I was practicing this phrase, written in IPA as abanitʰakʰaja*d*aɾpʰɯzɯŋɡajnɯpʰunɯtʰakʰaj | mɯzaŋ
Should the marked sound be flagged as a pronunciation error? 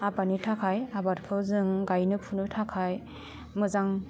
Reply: yes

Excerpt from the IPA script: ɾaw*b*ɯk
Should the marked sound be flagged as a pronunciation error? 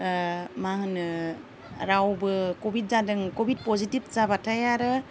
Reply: no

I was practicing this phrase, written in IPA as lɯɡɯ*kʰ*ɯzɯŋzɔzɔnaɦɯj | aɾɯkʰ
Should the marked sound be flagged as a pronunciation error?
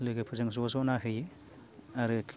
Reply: yes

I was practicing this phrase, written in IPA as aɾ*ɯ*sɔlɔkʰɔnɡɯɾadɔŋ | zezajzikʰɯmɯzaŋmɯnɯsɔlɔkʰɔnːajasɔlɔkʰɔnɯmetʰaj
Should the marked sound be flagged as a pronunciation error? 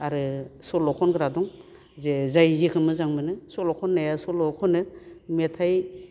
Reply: no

